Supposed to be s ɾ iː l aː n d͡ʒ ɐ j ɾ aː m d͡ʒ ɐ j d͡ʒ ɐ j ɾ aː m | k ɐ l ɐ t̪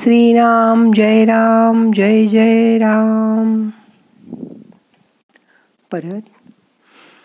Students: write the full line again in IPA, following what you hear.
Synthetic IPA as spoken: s ɾ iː ɾ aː m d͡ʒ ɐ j ɾ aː m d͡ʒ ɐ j d͡ʒ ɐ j ɾ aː m | p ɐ ɾ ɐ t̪